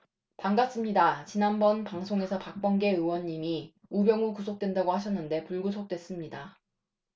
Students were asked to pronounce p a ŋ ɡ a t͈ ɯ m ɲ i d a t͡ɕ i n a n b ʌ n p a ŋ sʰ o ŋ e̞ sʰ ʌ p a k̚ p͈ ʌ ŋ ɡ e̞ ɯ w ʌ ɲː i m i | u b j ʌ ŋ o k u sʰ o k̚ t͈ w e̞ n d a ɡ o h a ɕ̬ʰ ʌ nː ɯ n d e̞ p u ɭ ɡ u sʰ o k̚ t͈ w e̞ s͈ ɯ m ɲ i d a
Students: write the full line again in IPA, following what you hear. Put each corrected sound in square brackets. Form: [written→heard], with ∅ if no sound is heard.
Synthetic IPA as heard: p a ŋ ɡ a [t͈→s͈] ɯ m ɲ i d a t͡ɕ i n a n b ʌ n p a ŋ sʰ o ŋ e̞ sʰ ʌ p a k̚ p͈ ʌ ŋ ɡ e̞ ɯ w ʌ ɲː i m i | u b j ʌ ŋ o k u sʰ o k̚ t͈ w e̞ n d a ɡ o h a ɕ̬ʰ ʌ nː ɯ n d e̞ p u ɭ ɡ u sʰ o k̚ t͈ w e̞ s͈ ɯ m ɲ i d a

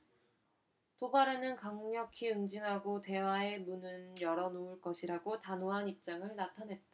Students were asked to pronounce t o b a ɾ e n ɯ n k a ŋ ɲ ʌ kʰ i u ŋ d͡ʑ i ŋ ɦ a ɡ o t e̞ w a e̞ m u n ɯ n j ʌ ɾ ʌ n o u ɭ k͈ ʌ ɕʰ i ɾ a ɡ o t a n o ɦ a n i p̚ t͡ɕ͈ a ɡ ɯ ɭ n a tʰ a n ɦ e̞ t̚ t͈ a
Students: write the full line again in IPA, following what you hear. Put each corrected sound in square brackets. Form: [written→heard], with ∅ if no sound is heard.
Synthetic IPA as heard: t o b a ɾ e n ɯ n k a ŋ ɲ ʌ kʰ i [u→ɯ] ŋ d͡ʑ i ŋ ɦ a ɡ o t e̞ w a e̞ m u n ɯ n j ʌ ɾ ʌ n o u ɭ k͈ ʌ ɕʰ i ɾ a ɡ o t a n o ɦ a n i p̚ t͡ɕ͈ a [ɡ→ŋ] ɯ ɭ n a tʰ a n ɦ e̞ t̚ t͈ a

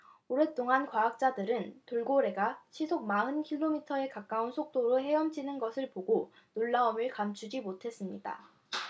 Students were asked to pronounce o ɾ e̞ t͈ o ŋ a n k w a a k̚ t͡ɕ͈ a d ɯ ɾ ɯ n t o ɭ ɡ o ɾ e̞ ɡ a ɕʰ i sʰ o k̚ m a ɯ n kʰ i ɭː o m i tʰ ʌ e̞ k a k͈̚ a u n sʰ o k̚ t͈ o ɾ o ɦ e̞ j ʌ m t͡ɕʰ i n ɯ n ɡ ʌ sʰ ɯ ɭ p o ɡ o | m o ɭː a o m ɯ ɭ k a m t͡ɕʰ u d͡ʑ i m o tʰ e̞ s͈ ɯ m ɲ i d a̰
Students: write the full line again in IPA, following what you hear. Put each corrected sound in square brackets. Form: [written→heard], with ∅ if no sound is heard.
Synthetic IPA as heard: o ɾ e̞ t͈ o ŋ a n k w a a k̚ t͡ɕ͈ a d ɯ ɾ ɯ n t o ɭ ɡ o ɾ e̞ ɡ a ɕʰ i sʰ o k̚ m a ɯ n kʰ i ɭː o m i tʰ ʌ e̞ k a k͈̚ a u n sʰ o k̚ t͈ o ɾ o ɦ e̞ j ʌ m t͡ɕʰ i n ɯ n ɡ ʌ sʰ ɯ ɭ p o ɡ o | [m→n] o ɭː a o m ɯ ɭ k a m t͡ɕʰ u d͡ʑ i m o tʰ e̞ s͈ ɯ m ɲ i d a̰

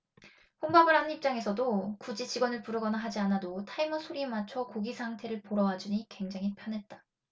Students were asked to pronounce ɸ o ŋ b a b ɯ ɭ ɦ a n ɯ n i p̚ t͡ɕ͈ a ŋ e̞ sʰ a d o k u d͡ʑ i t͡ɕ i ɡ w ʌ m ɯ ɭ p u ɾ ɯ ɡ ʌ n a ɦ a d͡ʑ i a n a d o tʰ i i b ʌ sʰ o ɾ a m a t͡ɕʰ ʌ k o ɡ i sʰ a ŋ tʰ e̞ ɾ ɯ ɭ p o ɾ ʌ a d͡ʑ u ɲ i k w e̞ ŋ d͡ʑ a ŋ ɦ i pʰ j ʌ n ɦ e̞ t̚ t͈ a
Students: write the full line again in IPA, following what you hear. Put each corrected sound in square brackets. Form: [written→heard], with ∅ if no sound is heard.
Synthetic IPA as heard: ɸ o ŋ b a b ɯ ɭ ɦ a n ɯ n i p̚ t͡ɕ͈ a ŋ e̞ sʰ [a→ʌ] d o k u d͡ʑ i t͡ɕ i ɡ w ʌ [m→n] ɯ ɭ p u ɾ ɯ ɡ ʌ n a ɦ a d͡ʑ i a n a d o tʰ [i→a] i [b→m] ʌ sʰ o ɾ [a→i] m a t͡ɕʰ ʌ k o ɡ i sʰ a ŋ tʰ e̞ ɾ ɯ ɭ p o ɾ ʌ a d͡ʑ u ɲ i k w e̞ ŋ d͡ʑ a ŋ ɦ i pʰ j ʌ n ɦ e̞ t̚ t͈ a

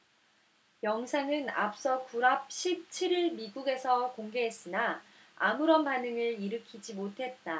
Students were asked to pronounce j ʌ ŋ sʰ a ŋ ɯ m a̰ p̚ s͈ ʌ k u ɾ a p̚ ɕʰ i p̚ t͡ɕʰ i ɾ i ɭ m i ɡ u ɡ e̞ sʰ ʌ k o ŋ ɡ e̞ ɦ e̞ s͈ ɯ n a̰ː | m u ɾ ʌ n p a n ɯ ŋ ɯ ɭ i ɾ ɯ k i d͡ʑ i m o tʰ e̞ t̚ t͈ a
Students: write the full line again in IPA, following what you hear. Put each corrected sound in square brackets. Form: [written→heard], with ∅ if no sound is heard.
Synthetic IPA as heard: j ʌ ŋ sʰ a ŋ ɯ [m→n] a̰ p̚ s͈ ʌ k u ɾ a p̚ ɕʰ i p̚ t͡ɕʰ i ɾ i ɭ m i ɡ u ɡ e̞ sʰ ʌ k o ŋ ɡ e̞ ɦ e̞ s͈ ɯ n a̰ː | m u ɾ ʌ n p a n ɯ ŋ ɯ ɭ i ɾ ɯ [k→kʰ] i d͡ʑ i m o tʰ e̞ t̚ t͈ a

